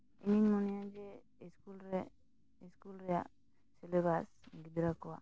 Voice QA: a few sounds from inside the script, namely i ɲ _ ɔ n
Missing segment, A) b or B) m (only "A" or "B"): B